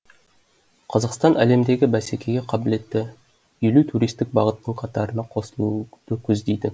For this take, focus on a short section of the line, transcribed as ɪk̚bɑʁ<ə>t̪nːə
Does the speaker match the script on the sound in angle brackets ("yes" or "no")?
yes